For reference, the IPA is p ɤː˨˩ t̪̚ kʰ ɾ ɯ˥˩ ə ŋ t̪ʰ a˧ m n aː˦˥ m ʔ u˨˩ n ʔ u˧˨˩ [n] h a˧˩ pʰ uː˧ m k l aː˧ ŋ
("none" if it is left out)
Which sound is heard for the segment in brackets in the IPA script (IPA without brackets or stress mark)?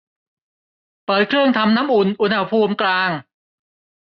n